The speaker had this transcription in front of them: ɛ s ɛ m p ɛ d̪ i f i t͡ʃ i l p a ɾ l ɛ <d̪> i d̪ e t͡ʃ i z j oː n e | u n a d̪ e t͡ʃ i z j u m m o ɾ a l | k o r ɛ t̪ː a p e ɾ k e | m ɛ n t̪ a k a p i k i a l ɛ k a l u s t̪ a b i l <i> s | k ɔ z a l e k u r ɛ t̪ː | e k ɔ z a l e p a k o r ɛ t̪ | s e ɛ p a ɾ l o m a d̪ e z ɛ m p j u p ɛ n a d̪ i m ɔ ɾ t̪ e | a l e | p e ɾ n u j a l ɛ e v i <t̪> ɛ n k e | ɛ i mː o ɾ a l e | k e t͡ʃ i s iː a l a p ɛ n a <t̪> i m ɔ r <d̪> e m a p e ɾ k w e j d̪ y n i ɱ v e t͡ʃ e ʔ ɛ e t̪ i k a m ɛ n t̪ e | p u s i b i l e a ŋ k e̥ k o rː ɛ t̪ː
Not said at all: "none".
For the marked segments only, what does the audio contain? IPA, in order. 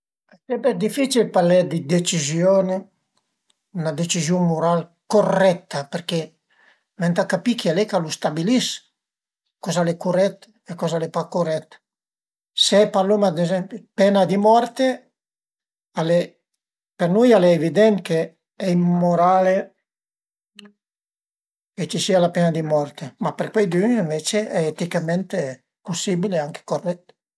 d̪, i, d̪, d̪, t̪

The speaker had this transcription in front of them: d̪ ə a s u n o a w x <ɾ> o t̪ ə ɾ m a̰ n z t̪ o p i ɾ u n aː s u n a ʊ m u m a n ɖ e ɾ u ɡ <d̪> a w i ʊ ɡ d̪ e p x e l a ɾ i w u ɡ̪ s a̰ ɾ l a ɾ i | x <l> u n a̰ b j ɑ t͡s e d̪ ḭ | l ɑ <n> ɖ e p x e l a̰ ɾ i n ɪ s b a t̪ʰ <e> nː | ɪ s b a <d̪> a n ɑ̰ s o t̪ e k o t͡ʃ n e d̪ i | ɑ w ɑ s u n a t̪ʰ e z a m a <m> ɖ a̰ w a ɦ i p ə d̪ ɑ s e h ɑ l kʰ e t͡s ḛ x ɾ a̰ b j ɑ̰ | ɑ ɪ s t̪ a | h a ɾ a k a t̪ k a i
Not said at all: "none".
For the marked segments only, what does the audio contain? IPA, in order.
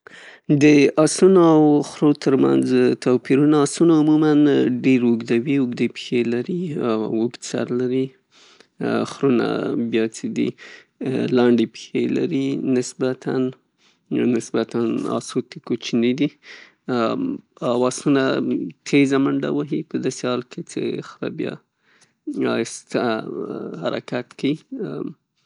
ɾ, d̪, ɾ, ɳ, a, t̪, ɳ

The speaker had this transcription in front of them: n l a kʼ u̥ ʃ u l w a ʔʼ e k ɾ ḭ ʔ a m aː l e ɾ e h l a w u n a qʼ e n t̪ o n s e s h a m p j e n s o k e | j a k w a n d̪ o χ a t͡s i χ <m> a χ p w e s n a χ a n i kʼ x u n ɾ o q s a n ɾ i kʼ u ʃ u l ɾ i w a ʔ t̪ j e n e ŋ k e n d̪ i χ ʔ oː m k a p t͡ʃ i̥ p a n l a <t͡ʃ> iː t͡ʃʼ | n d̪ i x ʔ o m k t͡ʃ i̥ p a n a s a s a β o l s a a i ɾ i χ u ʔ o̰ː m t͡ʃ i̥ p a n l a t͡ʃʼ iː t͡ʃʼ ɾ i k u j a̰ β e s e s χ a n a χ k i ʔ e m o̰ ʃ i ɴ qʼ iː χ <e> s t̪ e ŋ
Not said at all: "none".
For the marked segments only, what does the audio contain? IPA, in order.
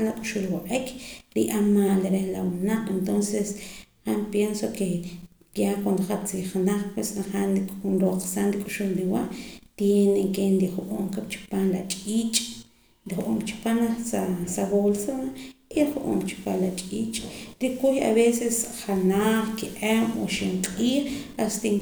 n, t͡ʃʼ, a

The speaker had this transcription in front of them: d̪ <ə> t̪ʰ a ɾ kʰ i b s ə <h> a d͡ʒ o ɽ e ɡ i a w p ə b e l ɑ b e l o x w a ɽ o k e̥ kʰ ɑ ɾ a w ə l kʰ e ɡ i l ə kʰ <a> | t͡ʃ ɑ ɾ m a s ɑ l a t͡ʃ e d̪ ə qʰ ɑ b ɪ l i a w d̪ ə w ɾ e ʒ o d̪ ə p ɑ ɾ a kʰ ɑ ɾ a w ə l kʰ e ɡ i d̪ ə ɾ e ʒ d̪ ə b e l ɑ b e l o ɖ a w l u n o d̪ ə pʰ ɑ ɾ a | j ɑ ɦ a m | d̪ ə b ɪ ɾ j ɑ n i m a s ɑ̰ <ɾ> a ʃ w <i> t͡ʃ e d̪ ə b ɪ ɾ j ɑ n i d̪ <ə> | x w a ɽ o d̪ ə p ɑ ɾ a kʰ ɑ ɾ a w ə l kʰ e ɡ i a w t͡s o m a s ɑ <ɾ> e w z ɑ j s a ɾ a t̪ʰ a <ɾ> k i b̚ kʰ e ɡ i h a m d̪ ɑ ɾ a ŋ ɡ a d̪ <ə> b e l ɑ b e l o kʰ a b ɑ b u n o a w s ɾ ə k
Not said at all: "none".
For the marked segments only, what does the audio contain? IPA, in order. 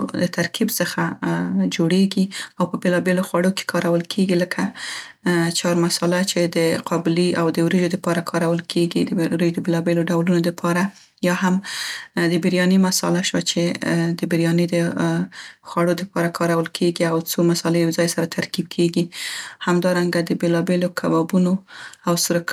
ə, x, a, l, a, ə, l, ɾ, ə

